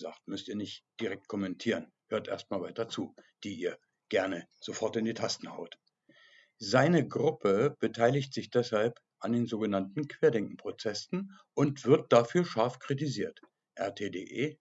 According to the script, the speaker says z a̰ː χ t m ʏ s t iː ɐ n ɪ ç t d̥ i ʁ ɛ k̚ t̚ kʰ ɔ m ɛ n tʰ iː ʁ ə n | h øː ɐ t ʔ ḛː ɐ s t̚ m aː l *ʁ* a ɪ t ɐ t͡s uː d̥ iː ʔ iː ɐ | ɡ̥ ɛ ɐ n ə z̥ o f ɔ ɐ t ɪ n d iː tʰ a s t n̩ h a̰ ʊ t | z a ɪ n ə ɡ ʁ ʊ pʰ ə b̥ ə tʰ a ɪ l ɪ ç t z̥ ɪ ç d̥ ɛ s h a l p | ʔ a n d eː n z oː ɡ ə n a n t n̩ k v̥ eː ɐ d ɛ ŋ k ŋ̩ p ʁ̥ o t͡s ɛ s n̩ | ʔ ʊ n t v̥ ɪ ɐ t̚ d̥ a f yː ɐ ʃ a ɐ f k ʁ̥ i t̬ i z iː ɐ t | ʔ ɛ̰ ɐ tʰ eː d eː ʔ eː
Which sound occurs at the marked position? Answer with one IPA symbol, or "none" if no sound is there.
v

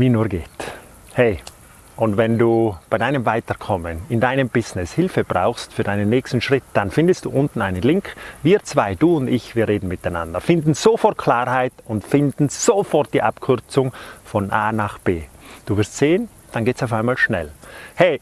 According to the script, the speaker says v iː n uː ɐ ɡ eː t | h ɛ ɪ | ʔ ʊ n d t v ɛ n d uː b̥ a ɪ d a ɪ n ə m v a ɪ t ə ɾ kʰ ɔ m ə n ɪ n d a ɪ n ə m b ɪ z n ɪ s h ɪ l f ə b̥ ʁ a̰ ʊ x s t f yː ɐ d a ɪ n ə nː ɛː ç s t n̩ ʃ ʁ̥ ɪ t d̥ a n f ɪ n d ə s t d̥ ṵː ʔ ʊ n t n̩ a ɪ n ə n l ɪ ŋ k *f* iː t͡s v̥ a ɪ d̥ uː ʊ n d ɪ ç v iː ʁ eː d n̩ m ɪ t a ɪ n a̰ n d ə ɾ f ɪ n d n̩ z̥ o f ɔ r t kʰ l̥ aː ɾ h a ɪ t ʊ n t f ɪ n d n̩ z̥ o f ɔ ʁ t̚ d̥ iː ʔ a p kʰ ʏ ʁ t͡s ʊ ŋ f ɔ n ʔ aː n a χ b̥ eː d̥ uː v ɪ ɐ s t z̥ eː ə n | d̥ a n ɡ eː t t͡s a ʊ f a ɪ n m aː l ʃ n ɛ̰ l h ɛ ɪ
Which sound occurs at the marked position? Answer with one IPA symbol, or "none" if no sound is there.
v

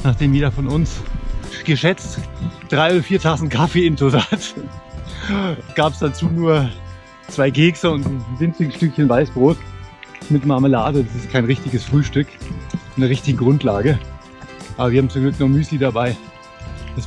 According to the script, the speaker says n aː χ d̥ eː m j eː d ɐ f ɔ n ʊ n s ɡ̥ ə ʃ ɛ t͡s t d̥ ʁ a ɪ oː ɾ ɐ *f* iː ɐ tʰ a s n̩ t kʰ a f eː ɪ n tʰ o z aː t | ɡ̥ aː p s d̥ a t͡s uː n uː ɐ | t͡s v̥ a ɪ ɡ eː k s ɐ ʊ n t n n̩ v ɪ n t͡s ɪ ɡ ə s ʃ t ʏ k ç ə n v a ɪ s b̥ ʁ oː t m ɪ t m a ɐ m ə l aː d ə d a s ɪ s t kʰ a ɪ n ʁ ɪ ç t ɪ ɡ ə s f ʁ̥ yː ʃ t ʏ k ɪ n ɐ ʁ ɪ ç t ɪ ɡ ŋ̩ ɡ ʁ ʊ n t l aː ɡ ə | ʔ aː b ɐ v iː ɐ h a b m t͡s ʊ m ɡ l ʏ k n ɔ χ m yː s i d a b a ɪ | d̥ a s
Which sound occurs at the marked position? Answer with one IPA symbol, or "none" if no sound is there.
f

